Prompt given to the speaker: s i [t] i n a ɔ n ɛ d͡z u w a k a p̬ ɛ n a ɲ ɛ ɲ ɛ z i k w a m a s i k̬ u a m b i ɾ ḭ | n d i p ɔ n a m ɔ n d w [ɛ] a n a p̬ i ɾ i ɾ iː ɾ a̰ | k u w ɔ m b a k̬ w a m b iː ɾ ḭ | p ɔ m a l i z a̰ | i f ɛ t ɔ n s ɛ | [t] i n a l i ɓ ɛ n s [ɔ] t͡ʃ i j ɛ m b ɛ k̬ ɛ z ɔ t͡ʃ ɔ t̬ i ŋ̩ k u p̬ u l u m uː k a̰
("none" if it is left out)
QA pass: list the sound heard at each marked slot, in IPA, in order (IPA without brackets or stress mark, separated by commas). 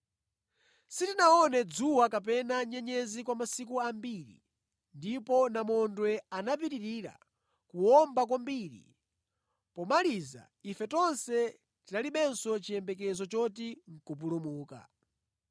t, ɛ, t, ɔ